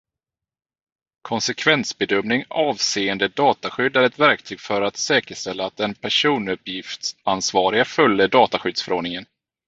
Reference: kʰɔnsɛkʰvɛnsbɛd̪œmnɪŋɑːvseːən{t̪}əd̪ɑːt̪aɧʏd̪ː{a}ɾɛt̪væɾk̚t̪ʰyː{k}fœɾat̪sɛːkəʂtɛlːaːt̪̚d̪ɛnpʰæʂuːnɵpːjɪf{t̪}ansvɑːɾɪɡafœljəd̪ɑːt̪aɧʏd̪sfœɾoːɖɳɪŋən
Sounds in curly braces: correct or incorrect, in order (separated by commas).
incorrect, incorrect, incorrect, correct